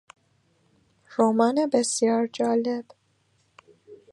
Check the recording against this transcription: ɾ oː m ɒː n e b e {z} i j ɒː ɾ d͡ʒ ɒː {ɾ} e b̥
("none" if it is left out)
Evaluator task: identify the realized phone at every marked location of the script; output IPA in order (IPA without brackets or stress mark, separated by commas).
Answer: s, l